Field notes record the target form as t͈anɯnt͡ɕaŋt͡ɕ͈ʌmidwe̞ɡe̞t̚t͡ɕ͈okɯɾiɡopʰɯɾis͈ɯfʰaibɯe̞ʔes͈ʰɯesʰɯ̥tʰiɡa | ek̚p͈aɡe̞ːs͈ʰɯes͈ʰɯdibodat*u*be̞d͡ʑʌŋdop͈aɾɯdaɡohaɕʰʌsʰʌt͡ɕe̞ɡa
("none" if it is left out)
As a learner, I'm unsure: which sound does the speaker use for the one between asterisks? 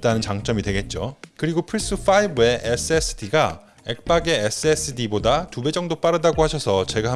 u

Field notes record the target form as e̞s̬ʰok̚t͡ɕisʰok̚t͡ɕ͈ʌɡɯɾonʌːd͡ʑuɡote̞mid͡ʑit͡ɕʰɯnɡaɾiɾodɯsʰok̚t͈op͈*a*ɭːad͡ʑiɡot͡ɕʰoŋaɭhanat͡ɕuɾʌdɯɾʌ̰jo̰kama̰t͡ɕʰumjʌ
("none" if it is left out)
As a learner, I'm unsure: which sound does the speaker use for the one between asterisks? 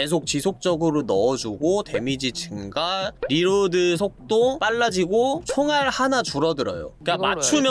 a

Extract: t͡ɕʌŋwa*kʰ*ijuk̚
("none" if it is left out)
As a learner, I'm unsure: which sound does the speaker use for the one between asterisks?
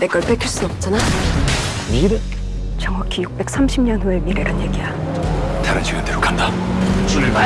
kʰ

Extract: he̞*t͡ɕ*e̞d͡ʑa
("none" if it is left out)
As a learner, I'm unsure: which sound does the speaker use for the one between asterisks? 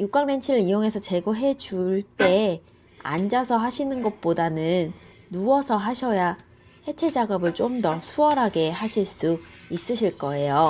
t͡ɕʰ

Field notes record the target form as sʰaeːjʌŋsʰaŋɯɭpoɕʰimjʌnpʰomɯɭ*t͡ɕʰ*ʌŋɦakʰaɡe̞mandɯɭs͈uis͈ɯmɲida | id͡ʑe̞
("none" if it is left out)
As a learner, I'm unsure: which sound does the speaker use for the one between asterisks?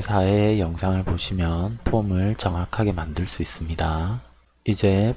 t͡ɕ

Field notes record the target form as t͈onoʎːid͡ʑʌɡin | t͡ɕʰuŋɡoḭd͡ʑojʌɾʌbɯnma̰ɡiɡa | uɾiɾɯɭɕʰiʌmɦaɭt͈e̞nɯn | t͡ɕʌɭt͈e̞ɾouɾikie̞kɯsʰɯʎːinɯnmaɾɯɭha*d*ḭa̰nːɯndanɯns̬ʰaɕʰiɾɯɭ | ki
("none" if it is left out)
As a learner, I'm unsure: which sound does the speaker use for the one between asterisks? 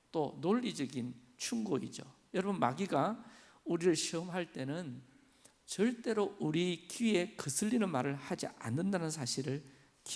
d͡ʑ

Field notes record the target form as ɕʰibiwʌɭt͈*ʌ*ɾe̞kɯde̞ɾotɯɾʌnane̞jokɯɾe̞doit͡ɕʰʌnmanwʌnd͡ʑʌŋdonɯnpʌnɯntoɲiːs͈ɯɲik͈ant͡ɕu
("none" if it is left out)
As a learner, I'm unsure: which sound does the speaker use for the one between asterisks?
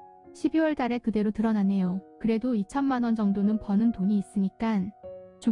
a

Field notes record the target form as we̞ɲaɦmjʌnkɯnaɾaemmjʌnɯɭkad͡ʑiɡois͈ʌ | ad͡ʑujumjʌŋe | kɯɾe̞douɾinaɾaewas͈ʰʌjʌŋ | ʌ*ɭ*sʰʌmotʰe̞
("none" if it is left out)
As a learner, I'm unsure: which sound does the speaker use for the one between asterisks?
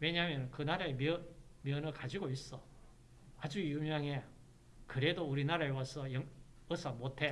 none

